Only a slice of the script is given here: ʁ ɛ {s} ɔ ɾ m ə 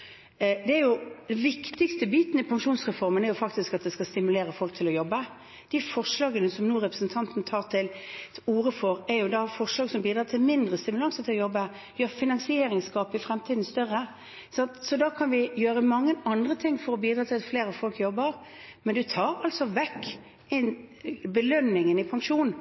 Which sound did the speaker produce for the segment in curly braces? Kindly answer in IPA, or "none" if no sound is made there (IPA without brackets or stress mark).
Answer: f